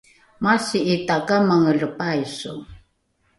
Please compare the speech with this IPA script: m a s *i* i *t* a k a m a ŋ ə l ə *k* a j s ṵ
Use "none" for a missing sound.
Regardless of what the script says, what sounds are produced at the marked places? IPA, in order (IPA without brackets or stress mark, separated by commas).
i, t, p